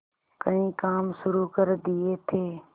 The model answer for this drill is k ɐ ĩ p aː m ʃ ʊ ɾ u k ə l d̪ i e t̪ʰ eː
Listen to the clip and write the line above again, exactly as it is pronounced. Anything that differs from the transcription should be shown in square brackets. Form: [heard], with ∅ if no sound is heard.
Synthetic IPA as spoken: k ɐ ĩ [k] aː m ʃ ʊ ɾ u k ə [ɾ] d̪ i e t̪ʰ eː